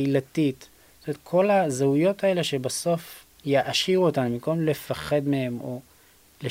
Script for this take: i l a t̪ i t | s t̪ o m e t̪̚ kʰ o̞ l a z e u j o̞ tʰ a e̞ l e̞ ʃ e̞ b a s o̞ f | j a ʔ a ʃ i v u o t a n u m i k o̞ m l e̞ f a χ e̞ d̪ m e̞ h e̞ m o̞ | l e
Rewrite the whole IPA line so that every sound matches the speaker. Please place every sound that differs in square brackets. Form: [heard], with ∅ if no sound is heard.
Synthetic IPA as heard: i l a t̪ i t | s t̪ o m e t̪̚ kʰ o̞ l a z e u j o̞ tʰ a e̞ l e̞ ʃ e̞ b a s o̞ f | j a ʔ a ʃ i [ʁ] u o t a n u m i k o̞ m l e̞ f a χ e̞ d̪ m e̞ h e̞ m o̞ | l e